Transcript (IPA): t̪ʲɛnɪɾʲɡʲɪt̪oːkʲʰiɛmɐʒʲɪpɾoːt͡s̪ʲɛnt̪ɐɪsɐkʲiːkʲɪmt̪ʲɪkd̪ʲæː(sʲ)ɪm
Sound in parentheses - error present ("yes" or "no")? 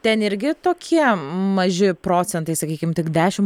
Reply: yes